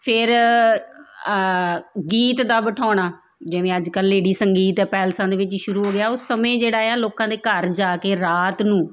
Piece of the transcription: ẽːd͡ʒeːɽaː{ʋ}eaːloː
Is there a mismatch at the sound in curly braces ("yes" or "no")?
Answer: yes